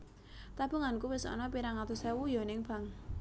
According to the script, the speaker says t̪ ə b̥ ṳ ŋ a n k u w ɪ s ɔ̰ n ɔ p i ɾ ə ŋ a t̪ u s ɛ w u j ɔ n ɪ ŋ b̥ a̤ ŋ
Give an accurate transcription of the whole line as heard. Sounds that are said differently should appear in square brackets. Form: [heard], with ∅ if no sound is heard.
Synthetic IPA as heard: t̪ [a] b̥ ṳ ŋ a n k u w ɪ s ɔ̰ n ɔ p i ɾ [a] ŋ a t̪ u s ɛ w u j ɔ n ɪ ŋ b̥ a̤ ŋ